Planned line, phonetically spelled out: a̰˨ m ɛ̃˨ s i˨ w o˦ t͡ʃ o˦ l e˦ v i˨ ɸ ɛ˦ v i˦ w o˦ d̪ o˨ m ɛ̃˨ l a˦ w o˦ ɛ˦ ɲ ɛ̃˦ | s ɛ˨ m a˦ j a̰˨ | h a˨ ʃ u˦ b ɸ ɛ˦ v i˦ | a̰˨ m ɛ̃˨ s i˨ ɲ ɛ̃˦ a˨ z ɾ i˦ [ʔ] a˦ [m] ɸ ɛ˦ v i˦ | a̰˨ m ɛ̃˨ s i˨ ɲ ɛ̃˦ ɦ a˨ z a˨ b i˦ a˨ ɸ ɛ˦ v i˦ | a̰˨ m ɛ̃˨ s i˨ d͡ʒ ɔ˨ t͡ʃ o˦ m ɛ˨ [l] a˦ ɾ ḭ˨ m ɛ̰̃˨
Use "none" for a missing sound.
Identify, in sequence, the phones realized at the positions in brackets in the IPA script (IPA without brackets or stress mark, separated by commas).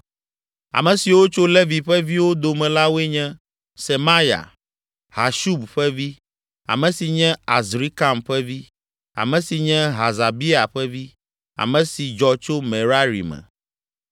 k, m, ɾ